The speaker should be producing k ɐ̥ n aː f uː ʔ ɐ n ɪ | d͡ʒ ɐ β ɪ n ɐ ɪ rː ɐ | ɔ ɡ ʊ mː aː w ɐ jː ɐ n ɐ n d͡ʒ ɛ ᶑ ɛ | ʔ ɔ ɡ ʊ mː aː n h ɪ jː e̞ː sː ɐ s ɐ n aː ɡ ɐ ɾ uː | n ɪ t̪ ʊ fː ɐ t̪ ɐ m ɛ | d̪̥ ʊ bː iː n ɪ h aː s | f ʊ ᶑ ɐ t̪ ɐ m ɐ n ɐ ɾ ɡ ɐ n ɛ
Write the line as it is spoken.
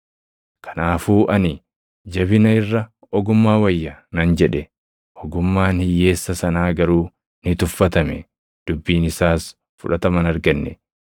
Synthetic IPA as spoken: k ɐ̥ n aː f uː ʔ ɐ n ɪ | d͡ʒ ɐ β ɪ n ɐ ɪ rː ɐ | ɔ ɡ ʊ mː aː w ɐ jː ɐ n ɐ n d͡ʒ ɛ ᶑ ɛ | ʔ ɔ ɡ ʊ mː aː n h ɪ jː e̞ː sː ɐ s ɐ n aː ɡ ɐ ɾ uː | n ɪ t̪ ʊ fː ɐ t̪ ɐ m ɛ | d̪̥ ʊ bː iː n ɪ s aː s | f ʊ ᶑ ɐ t̪ ɐ m ɐ n ɐ ɾ ɡ ɐ nː ɛ